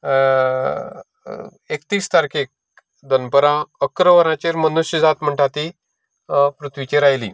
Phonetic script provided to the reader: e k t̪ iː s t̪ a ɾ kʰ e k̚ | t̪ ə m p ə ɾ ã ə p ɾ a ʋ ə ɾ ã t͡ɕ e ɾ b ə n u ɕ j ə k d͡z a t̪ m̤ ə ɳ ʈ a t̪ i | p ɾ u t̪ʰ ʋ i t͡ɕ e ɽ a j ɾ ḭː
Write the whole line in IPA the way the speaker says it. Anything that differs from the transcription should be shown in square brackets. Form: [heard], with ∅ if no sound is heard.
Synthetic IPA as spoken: e k t̪ iː s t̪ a ɾ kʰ e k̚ | [d̪] ə [n] p ə ɾ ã ə [k] ɾ [ə] ʋ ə ɾ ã t͡ɕ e ɾ [m] ə n u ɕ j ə [∅] d͡z a t̪ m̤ ə ɳ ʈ a t̪ i | p ɾ u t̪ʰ ʋ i t͡ɕ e [ɾ] a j [l] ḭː